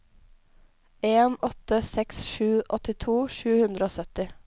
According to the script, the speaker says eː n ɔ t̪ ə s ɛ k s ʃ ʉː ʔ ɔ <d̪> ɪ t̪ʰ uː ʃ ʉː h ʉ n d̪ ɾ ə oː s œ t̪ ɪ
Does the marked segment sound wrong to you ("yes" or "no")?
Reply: yes